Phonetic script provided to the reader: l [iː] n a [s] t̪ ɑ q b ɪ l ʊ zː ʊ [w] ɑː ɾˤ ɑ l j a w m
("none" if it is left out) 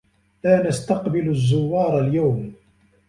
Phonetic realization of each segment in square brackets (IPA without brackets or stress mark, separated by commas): aː, s, wː